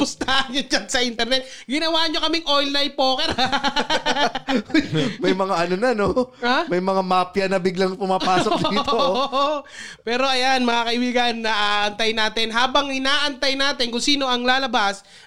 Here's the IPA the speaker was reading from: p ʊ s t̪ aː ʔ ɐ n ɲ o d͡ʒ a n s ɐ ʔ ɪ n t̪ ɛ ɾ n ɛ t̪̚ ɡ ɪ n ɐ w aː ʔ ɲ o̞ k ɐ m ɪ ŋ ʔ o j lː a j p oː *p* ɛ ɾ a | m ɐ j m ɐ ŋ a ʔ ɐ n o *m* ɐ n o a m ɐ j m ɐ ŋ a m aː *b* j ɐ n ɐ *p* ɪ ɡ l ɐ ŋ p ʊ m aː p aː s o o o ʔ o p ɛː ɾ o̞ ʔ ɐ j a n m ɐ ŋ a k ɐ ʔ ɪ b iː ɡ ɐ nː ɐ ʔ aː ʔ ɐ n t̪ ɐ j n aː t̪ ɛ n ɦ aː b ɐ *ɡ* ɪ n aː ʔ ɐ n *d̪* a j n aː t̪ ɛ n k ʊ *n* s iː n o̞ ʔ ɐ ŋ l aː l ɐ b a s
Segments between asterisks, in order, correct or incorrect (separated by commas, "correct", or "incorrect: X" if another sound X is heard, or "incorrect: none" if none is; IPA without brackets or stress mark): incorrect: k, incorrect: n, incorrect: p, incorrect: b, incorrect: ŋ, incorrect: t̪, incorrect: ŋ